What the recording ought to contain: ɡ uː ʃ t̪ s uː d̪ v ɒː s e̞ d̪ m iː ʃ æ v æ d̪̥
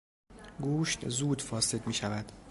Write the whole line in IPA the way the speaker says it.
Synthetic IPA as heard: ɡ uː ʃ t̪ z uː d̪ f ɒː s e̞ d̪ m iː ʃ æ v æ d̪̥